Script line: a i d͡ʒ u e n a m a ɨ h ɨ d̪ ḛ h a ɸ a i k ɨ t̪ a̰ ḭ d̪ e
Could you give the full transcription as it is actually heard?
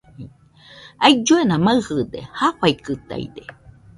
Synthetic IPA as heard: a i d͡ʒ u e n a m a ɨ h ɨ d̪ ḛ h a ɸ a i k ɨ t̪ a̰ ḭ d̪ e